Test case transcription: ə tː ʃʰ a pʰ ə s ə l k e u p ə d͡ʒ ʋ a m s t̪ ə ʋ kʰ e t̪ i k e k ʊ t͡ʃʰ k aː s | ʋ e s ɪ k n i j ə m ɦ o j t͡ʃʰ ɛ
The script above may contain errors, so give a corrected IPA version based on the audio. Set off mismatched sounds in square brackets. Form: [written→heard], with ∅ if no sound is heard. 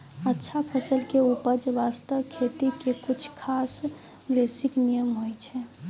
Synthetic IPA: ə tː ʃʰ a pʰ ə s ə l k e u p ə d͡ʒ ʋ a [m→∅] s t̪ ə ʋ kʰ e t̪ i k e k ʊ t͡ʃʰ [k→kʰ] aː s | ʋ e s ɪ k n i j ə m ɦ o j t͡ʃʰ ɛ